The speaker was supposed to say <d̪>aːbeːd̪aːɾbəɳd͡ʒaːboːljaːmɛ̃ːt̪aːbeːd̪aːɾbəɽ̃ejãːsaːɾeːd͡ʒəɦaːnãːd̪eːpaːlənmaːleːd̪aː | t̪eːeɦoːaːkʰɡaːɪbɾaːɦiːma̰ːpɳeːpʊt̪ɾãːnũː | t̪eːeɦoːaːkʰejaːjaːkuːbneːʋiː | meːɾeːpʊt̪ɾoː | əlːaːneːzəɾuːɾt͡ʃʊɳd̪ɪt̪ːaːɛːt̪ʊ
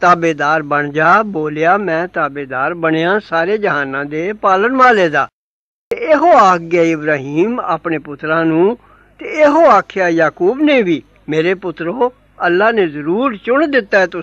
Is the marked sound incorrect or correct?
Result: incorrect